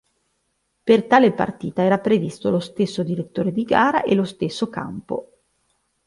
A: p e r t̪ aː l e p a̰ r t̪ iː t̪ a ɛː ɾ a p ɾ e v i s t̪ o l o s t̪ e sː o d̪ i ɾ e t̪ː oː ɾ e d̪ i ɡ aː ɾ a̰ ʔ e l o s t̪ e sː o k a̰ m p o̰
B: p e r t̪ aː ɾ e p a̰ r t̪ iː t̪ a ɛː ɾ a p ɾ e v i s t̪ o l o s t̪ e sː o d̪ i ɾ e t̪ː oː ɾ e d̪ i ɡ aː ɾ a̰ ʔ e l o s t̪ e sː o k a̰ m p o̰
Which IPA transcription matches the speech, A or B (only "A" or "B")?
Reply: A